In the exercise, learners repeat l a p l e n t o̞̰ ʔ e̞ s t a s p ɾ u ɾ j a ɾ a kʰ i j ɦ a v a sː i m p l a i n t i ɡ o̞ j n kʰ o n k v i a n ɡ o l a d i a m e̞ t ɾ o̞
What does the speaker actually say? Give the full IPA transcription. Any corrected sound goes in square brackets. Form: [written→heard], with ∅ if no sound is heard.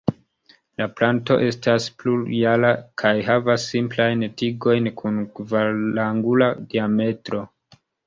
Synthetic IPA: l a p l [e→a] n t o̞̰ ʔ e̞ s t a s p [ɾ→l] u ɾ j a [ɾ→l] a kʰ [i→a] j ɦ a v a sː i m p l a [i→j] n t i ɡ o̞ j n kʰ [o→u] n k v [i→a] a [n→ŋ] ɡ [o→u] l a d i a m e̞ t ɾ o̞